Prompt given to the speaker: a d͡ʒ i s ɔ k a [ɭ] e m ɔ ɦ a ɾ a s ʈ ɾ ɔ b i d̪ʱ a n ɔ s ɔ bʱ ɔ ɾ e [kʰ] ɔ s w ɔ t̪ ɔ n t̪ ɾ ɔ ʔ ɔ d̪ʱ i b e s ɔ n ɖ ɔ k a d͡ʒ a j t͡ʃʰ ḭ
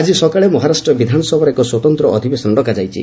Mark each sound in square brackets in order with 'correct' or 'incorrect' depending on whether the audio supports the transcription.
correct, incorrect: k

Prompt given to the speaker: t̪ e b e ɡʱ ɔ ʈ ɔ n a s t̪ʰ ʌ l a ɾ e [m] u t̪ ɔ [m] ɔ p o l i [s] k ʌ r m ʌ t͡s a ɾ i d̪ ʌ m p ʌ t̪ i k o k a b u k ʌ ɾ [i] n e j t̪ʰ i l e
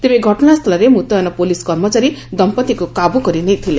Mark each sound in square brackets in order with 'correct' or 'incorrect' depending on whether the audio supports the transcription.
correct, incorrect: n, correct, correct

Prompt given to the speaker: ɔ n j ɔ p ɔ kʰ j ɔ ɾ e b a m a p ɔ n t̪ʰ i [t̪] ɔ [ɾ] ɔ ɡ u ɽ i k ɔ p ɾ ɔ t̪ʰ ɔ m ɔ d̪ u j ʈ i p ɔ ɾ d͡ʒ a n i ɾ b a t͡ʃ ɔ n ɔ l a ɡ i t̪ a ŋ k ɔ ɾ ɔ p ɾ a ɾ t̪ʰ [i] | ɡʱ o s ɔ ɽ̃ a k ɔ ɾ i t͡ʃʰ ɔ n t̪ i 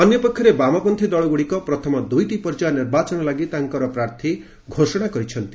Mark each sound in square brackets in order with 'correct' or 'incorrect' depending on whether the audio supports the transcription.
incorrect: d̪, incorrect: ɭ, correct

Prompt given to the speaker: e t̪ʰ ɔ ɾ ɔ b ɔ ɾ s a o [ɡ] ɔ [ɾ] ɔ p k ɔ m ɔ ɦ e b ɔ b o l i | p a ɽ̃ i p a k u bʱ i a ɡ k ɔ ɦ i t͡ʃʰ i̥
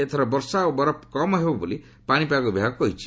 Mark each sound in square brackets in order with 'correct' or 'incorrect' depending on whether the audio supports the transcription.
incorrect: b, correct

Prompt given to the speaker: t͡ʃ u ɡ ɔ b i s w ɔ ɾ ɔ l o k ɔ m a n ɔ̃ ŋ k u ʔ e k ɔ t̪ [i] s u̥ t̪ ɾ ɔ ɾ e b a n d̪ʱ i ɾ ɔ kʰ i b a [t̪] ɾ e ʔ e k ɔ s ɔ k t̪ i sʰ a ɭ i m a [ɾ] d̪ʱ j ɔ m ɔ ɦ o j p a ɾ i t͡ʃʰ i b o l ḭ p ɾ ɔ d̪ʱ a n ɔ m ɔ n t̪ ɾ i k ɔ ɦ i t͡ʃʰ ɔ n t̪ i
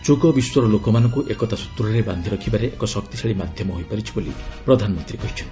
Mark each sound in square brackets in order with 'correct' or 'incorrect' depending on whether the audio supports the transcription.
incorrect: a, incorrect: none, incorrect: none

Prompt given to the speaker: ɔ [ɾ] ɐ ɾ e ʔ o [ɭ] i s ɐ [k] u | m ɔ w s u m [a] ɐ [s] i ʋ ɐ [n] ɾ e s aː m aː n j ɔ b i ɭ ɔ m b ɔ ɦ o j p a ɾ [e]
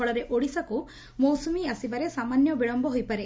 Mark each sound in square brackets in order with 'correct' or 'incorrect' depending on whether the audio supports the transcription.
incorrect: ɭ, incorrect: ɽ, correct, incorrect: i, correct, incorrect: none, correct

